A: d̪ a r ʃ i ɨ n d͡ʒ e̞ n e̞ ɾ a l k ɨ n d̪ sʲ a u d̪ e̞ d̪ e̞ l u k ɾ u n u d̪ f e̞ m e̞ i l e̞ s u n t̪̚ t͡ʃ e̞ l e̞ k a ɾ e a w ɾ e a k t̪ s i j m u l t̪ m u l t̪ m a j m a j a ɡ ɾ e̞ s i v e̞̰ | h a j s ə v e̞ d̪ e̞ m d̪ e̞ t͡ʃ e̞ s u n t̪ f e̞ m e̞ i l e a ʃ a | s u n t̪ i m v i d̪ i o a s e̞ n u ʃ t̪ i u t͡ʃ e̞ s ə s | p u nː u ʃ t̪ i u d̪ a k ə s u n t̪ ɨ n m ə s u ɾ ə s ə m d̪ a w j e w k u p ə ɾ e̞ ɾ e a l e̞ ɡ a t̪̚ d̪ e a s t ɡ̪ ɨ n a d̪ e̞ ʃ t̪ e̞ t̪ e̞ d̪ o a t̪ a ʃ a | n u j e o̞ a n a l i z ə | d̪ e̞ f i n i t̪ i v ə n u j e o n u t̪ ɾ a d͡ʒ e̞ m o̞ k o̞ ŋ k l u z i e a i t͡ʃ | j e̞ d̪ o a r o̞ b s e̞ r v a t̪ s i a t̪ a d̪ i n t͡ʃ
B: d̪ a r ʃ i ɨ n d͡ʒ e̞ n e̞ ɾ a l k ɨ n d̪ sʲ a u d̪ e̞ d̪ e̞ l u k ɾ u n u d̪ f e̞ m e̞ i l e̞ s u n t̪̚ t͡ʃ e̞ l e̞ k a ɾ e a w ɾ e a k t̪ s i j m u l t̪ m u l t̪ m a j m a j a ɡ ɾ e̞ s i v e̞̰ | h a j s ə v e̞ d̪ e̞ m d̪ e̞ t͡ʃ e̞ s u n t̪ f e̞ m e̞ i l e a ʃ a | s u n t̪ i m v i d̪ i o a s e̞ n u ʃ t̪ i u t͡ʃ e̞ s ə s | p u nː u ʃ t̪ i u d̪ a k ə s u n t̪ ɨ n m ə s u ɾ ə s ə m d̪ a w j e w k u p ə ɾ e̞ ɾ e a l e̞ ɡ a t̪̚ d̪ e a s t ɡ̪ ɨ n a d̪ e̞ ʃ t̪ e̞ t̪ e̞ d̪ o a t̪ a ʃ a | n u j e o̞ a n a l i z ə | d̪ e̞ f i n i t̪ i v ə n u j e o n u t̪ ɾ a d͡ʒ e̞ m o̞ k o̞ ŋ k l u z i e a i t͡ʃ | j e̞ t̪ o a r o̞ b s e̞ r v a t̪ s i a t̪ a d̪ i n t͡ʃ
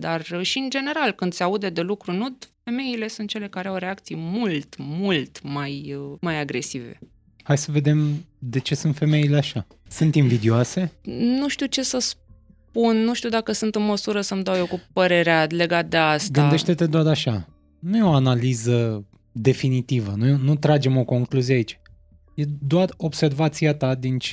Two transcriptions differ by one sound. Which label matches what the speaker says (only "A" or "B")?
A